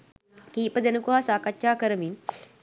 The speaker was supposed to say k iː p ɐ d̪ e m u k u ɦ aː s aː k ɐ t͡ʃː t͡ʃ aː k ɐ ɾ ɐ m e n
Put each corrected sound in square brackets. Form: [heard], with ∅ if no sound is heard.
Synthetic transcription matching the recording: k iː p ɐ d̪ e [n] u k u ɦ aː s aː k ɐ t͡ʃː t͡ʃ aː k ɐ ɾ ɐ m [i] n